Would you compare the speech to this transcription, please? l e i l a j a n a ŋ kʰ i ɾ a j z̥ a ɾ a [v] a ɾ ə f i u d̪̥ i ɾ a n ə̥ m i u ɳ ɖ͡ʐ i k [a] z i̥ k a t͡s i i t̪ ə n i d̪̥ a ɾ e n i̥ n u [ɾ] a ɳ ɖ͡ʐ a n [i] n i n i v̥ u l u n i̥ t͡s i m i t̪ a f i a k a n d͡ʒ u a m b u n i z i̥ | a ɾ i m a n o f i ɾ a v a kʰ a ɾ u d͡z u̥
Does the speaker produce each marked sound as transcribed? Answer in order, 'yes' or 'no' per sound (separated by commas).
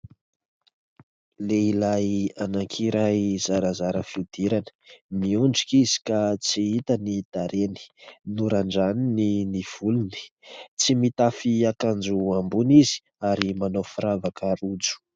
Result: no, no, yes, yes